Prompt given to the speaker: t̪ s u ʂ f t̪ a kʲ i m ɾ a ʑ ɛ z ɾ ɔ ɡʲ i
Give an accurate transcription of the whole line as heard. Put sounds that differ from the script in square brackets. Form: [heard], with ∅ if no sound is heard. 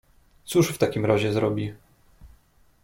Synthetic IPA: t̪ s u ʂ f t̪ a kʲ i m ɾ a ʑ ɛ z ɾ ɔ [bʲ] i